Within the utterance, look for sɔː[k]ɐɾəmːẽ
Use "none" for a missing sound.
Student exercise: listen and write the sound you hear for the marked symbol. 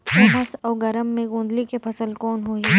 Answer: ɡ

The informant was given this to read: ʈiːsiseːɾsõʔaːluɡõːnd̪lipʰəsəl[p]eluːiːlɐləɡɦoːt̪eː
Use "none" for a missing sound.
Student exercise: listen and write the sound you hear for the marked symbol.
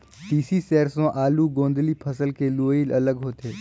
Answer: k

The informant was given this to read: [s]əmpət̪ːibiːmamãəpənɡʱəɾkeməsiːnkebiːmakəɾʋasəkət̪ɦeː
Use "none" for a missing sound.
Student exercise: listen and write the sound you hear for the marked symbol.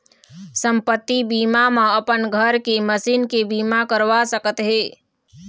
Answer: s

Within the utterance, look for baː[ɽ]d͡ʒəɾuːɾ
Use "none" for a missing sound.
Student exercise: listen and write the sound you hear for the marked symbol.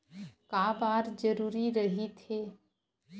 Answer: ɾ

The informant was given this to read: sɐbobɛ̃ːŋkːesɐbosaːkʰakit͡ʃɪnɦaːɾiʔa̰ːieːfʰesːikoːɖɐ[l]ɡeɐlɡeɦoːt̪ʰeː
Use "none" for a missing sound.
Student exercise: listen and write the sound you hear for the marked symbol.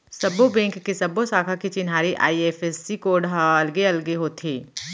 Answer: l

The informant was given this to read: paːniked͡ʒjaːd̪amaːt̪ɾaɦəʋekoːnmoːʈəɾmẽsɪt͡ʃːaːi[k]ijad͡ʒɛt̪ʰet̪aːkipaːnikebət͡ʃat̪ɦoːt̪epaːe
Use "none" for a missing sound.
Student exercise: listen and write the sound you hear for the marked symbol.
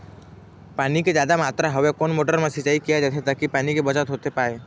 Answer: k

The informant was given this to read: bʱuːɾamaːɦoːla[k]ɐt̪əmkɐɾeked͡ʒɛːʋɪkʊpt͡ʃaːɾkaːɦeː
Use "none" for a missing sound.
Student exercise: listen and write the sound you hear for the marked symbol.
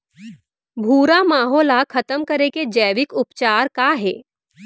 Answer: kʰ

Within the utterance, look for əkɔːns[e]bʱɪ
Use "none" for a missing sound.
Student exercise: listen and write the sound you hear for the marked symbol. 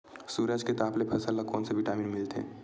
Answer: e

